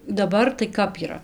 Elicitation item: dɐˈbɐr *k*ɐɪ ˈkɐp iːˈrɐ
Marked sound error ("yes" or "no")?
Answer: yes